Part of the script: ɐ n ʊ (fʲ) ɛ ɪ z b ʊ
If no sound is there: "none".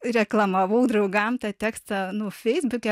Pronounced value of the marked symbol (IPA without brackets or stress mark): fʲ